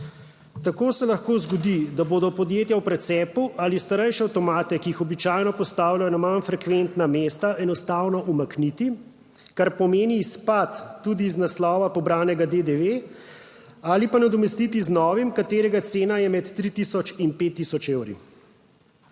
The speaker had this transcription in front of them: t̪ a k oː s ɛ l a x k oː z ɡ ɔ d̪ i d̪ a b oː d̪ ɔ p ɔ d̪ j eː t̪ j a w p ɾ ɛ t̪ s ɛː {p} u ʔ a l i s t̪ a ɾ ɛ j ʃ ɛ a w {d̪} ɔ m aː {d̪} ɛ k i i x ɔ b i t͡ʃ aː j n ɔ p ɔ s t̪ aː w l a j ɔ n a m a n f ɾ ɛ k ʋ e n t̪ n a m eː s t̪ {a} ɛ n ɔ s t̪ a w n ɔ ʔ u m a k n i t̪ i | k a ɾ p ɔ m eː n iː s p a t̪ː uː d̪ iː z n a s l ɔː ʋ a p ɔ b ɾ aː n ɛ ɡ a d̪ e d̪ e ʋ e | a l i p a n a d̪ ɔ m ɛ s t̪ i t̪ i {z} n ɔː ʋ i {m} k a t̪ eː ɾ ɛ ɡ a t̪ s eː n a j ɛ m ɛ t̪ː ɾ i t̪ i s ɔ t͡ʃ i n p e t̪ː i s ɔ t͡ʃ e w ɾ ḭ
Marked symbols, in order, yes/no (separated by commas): yes, no, no, yes, yes, yes